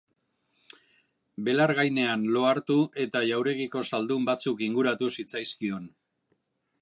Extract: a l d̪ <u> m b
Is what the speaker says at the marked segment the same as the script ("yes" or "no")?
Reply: yes